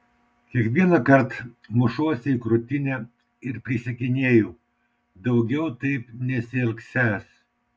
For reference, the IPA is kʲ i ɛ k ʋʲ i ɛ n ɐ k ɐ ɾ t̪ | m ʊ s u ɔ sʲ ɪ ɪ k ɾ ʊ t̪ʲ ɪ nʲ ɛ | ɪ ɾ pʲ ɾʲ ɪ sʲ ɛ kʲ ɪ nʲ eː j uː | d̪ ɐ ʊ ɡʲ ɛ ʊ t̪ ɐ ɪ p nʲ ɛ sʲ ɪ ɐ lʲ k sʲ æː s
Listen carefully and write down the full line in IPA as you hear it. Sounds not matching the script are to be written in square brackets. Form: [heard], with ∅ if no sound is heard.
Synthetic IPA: kʲ i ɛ k ʋʲ i ɛ n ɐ k ɐ ɾ t̪ | m ʊ [ʃ] u ɔ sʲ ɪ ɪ k ɾ ʊ t̪ʲ ɪ nʲ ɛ | ɪ ɾ pʲ ɾʲ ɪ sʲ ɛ kʲ ɪ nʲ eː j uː | d̪ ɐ ʊ ɡʲ ɛ ʊ t̪ ɐ ɪ p nʲ ɛ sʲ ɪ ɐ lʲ k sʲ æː s

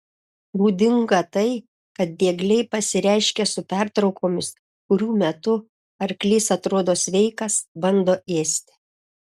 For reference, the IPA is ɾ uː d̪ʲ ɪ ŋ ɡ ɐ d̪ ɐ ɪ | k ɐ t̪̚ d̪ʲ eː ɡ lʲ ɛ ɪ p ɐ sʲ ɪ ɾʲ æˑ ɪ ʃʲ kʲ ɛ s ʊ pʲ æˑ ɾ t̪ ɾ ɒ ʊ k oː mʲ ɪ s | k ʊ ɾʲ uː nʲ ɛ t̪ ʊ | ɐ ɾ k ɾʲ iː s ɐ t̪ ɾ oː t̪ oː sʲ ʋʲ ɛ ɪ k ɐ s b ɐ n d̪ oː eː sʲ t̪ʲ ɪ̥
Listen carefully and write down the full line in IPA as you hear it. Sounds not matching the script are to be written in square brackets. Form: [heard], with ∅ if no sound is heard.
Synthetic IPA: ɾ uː d̪ʲ ɪ ŋ ɡ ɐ [t̪] ɐ ɪ | k ɐ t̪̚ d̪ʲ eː ɡ lʲ ɛ ɪ p ɐ sʲ ɪ ɾʲ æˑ ɪ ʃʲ kʲ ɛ s ʊ pʲ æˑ ɾ t̪ ɾ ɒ ʊ k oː mʲ ɪ s | k ʊ ɾʲ uː [mʲ] ɛ t̪ ʊ | ɐ ɾ k [lʲ] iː s ɐ t̪ ɾ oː [d̪] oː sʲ ʋʲ ɛ ɪ k ɐ s b ɐ n d̪ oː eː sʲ t̪ʲ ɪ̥

